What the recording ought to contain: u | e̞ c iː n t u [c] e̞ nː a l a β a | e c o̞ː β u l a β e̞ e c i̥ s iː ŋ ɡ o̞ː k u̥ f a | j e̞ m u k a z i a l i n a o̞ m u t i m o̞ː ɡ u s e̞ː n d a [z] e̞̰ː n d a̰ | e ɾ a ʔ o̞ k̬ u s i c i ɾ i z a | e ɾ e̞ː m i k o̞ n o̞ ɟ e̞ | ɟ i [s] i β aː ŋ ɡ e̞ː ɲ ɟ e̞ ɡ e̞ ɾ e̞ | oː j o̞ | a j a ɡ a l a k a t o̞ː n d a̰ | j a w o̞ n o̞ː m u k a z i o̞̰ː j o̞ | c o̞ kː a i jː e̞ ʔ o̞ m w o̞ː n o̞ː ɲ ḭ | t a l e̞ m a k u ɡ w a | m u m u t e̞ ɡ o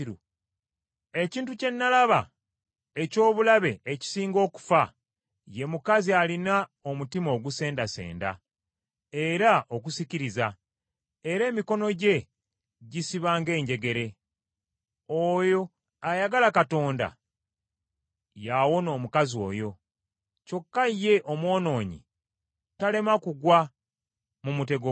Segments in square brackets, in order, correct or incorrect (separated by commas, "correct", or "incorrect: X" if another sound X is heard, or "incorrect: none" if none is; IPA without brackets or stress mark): correct, incorrect: s, correct